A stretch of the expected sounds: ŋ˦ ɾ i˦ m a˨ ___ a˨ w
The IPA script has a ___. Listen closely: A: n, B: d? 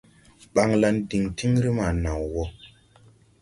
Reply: A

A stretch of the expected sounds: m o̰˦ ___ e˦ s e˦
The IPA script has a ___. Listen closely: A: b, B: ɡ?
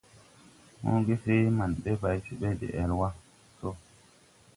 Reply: B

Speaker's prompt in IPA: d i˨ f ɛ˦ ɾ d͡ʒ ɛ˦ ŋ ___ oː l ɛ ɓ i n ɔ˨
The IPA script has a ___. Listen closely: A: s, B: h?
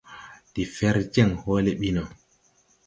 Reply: B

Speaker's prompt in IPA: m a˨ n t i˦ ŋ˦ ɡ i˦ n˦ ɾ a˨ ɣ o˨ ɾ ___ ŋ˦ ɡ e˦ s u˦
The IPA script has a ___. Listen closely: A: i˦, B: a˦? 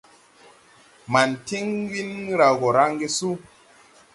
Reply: B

